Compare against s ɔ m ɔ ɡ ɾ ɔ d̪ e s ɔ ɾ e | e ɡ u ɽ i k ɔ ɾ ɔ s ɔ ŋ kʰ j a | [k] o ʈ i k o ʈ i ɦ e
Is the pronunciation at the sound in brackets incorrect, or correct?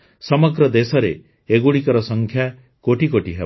correct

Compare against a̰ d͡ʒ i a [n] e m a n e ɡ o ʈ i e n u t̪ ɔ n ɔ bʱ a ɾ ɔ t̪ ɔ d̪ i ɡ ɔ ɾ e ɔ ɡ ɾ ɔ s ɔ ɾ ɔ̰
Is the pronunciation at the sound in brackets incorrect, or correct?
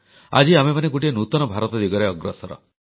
incorrect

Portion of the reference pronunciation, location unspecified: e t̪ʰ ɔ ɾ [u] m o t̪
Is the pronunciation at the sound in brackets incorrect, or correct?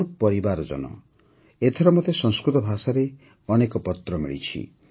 incorrect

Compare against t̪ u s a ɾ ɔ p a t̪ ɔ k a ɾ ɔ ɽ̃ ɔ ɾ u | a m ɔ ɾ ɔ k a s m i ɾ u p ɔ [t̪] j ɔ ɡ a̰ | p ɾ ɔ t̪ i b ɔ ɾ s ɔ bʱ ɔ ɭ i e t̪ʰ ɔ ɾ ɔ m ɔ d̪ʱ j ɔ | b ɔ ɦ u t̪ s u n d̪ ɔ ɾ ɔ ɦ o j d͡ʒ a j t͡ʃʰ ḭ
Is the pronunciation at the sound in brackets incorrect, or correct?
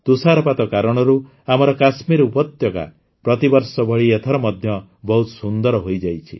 correct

